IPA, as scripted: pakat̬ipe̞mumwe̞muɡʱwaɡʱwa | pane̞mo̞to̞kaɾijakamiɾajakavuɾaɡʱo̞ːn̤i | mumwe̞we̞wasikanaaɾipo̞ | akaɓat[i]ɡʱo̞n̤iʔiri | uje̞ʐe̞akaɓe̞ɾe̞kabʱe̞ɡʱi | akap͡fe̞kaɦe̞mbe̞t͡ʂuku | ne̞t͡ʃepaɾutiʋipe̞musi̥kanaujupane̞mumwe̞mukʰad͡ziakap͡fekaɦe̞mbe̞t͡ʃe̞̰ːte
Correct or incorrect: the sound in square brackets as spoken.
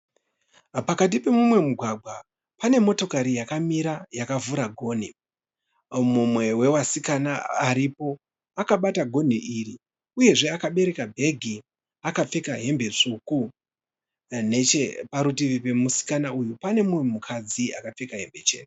incorrect: a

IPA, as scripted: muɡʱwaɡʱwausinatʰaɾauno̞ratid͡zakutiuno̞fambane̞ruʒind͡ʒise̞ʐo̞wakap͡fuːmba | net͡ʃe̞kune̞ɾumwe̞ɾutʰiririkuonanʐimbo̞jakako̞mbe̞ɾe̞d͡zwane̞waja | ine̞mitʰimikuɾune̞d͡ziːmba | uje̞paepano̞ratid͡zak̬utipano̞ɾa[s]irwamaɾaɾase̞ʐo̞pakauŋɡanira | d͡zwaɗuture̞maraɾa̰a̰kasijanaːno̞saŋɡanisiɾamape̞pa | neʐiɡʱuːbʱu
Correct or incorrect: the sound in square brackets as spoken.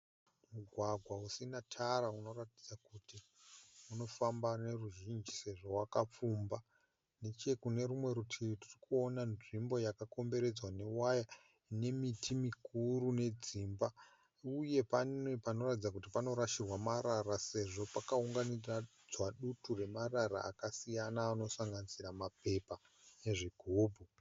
incorrect: ʃ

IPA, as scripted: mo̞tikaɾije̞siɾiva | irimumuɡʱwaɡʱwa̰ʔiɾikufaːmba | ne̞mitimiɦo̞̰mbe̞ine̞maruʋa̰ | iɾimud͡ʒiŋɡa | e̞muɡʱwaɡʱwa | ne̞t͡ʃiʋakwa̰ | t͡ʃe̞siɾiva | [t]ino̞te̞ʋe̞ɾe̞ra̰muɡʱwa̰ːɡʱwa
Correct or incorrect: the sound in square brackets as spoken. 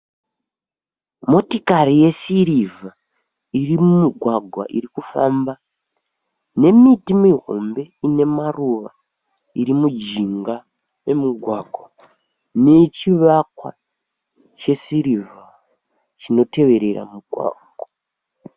incorrect: t͡ʃ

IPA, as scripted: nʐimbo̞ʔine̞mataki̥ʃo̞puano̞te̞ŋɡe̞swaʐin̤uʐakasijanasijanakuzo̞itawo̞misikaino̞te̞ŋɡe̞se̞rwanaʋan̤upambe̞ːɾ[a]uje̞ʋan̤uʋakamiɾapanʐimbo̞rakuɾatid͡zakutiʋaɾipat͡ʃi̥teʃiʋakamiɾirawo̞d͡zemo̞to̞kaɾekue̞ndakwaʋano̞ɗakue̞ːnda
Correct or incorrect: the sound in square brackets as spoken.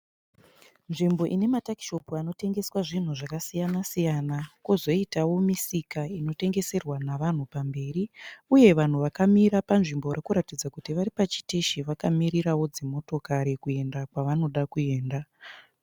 incorrect: i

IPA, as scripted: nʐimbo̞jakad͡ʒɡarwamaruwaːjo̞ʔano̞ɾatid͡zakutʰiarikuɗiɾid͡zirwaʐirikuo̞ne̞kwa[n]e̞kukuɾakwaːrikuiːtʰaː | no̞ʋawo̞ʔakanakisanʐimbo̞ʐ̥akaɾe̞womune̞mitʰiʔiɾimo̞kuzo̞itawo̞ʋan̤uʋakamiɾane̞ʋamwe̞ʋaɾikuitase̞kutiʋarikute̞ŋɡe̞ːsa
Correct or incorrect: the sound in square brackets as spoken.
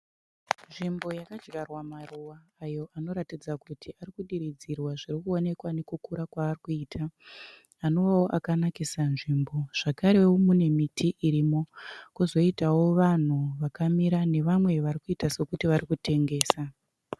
correct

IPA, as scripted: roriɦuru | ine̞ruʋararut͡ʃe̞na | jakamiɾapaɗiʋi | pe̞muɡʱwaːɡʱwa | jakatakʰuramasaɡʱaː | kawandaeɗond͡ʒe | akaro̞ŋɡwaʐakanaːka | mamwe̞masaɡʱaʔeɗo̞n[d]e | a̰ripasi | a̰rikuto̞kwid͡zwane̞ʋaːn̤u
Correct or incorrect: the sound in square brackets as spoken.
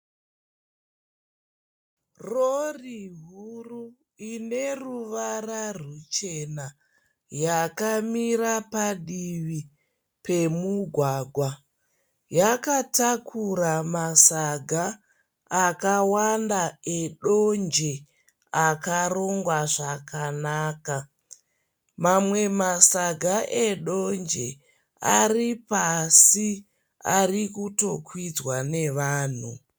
incorrect: d͡ʒ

